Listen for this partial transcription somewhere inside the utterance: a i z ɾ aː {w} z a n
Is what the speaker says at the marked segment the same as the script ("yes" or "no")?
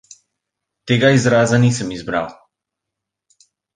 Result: no